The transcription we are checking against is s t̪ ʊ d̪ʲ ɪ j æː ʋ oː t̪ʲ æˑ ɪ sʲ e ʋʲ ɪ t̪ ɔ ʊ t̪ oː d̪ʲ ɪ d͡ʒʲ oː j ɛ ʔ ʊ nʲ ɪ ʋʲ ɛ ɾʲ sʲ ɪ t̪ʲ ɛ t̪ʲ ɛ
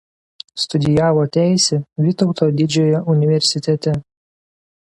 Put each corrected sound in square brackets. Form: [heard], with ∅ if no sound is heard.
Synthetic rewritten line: s t̪ ʊ d̪ʲ ɪ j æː ʋ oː t̪ʲ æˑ ɪ sʲ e ʋʲ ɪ t̪ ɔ ʊ t̪ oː d̪ʲ ɪ d͡ʒʲ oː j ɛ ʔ ʊ nʲ ɪ ʋʲ ɛ ɾʲ sʲ ɪ t̪ʲ ɛ t̪ʲ ɛ